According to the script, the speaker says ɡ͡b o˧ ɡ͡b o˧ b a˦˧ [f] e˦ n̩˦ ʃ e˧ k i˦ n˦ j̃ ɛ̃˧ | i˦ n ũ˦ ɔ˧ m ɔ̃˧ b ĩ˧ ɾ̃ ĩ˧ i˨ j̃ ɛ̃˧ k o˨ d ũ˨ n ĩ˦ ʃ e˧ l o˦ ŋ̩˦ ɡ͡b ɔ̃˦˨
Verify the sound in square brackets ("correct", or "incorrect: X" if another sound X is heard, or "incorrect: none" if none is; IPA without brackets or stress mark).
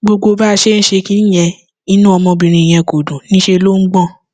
incorrect: ʃ